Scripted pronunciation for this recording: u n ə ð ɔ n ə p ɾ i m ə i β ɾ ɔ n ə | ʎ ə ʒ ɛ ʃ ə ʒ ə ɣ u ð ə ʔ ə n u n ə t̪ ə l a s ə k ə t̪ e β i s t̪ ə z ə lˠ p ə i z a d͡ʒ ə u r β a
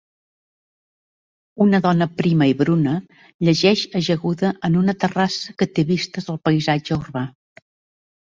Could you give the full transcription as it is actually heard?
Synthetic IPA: u n ə ð ɔ n ə p ɾ i m ə i β ɾ u n ə | ʎ ə ʒ ɛ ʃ ə ʒ ə ɣ u ð ə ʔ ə n u n ə t̪ ə r a s ə k ə t̪ e β i s t̪ ə z ə lˠ p ə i z a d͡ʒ ə u r β a